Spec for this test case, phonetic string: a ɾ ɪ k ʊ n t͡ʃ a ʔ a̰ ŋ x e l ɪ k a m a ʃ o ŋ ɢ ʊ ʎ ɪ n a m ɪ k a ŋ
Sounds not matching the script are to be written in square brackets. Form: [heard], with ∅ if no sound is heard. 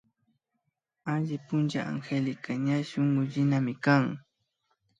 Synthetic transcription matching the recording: a [ʎ] ɪ [p] ʊ n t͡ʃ a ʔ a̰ ŋ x e l ɪ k a [ɲ] a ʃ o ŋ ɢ ʊ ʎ ɪ n a m ɪ k a ŋ